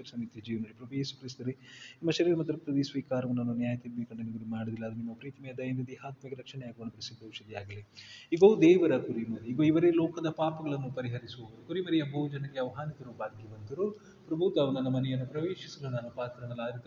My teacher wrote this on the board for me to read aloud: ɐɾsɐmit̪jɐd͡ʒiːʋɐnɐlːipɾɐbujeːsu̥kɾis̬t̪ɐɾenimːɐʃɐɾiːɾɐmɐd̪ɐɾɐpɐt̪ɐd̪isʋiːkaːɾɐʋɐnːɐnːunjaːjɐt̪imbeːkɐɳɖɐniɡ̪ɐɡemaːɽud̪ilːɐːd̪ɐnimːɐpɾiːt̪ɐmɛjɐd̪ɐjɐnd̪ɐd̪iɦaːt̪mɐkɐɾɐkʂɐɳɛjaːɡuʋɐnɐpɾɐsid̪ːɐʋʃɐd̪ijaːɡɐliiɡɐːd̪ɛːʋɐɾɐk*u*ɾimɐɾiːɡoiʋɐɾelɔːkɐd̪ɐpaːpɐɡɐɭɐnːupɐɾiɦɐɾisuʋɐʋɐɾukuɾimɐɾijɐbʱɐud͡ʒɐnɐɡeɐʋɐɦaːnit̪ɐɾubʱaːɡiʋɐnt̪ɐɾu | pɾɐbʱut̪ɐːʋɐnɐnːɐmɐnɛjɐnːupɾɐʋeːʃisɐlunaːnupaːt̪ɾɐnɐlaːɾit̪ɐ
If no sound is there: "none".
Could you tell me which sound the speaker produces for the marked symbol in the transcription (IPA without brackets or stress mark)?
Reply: u